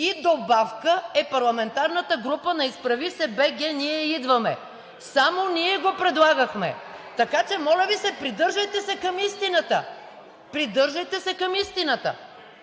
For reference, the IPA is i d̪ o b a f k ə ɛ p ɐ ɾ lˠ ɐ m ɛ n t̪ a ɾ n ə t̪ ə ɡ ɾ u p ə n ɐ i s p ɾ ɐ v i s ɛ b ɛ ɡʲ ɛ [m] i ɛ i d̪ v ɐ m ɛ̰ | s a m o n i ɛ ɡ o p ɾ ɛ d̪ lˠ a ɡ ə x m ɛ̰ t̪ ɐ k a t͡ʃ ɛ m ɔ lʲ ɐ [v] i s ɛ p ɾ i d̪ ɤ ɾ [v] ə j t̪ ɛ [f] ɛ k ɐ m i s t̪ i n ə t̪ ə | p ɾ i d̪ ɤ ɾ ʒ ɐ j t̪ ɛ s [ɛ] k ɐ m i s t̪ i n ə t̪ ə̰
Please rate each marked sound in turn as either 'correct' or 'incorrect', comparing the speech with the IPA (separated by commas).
incorrect, correct, incorrect, incorrect, correct